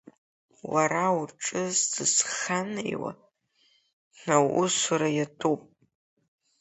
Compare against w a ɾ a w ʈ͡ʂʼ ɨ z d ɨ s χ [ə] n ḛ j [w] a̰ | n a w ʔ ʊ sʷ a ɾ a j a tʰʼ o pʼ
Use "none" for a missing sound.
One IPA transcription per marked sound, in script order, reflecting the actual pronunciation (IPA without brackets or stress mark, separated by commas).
a, w